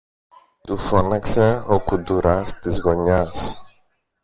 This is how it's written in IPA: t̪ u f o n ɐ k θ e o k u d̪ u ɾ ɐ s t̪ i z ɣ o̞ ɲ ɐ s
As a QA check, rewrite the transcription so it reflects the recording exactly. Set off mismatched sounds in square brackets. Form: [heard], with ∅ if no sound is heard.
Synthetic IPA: t̪ u f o n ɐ k [s] e o k u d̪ u ɾ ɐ s t̪ i z ɣ o̞ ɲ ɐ s